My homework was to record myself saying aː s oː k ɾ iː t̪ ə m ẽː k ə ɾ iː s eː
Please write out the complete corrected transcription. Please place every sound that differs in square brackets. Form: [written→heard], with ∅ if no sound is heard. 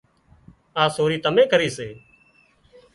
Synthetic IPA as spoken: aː s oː [k→∅] ɾ iː t̪ ə m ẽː k ə ɾ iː s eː